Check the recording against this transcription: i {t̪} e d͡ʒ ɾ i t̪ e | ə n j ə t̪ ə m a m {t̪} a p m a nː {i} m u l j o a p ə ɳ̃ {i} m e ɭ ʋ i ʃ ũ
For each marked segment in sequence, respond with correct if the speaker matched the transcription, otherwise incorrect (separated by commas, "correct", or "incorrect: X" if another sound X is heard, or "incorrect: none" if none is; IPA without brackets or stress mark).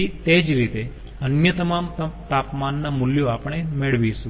correct, correct, incorrect: a, incorrect: e